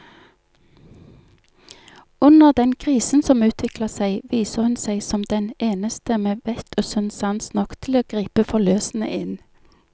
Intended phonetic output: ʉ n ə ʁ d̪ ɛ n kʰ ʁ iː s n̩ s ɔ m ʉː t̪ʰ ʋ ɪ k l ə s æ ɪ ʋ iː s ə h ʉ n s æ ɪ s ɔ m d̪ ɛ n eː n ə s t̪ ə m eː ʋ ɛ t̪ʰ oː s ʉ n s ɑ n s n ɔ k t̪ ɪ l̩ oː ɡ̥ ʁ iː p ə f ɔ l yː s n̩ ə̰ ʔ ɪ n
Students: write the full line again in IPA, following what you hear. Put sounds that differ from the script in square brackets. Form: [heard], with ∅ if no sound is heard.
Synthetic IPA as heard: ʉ n ə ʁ d̪ ɛ n kʰ ʁ iː s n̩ s ɔ m ʉː t̪ʰ ʋ ɪ k l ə s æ ɪ ʋ iː s ə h ʉ n s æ ɪ s ɔ m d̪ ɛ n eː n ə s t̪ ə m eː ʋ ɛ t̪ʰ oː s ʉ n s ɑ n s n ɔ k [t̪ʰ] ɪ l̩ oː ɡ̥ ʁ iː p ə f ɔ l [øː] s n̩ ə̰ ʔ ɪ n